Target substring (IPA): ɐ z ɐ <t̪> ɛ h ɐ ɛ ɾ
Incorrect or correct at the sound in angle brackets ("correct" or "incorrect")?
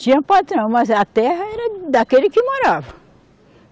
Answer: correct